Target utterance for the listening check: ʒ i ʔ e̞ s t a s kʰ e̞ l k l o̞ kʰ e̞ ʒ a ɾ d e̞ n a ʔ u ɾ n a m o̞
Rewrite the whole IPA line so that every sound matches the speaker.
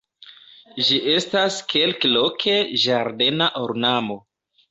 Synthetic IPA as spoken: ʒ i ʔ e̞ s t a s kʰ e̞ l k l o̞ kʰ e̞ ʒ a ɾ d e̞ n a ʔ o ɾ n a m o̞